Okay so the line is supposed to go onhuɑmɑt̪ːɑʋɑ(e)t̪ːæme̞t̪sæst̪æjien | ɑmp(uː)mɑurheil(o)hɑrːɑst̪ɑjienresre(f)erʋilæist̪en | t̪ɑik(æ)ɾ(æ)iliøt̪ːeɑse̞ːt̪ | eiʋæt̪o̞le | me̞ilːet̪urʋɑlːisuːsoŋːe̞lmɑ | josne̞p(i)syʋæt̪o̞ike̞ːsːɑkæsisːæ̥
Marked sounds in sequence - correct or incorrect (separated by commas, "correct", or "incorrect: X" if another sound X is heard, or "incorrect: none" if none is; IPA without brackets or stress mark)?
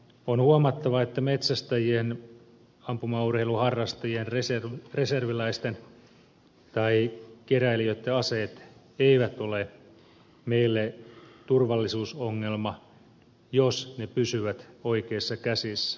correct, incorrect: u, incorrect: u, incorrect: s, incorrect: e, correct, incorrect: y